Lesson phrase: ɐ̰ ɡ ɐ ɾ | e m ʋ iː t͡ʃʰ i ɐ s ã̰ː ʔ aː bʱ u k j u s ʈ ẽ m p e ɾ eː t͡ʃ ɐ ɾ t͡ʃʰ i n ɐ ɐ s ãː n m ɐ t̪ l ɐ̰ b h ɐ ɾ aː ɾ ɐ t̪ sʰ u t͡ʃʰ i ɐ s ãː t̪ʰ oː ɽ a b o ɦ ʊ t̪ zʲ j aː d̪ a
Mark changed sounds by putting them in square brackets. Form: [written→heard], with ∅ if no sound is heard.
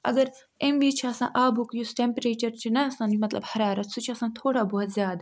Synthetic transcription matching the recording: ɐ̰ ɡ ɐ ɾ | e m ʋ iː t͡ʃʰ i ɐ s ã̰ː ʔ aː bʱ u k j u s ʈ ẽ m p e ɾ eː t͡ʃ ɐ ɾ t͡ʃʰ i n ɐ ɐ s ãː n m ɐ t̪ l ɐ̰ b h ɐ ɾ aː ɾ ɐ t̪ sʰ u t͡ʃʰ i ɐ s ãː t̪ʰ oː ɽ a b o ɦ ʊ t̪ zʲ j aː d̪ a